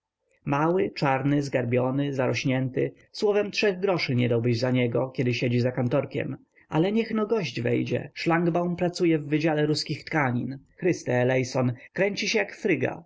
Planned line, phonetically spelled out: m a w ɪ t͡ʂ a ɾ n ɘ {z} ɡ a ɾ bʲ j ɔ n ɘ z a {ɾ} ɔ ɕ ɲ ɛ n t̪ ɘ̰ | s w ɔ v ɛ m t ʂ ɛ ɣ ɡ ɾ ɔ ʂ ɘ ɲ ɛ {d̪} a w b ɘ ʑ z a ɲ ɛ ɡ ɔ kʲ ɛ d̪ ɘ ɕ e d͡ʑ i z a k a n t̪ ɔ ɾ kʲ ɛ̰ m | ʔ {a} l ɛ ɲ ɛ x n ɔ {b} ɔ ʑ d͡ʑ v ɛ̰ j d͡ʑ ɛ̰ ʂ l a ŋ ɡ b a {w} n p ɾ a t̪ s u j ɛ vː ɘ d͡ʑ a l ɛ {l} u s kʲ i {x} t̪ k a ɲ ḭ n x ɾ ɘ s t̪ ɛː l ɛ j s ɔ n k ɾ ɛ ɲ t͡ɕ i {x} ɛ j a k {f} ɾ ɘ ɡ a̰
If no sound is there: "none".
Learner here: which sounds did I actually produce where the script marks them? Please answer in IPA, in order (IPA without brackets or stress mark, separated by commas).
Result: z, ɾ, d̪, a, ɡ, w, ɾ, x, ɕ, f